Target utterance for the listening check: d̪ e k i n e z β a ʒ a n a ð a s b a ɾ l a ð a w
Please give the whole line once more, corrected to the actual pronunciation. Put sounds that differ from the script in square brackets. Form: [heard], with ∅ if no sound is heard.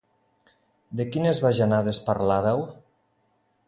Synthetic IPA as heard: d̪ e k i n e z β a ʒ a n a ð [e] s [p] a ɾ l a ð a w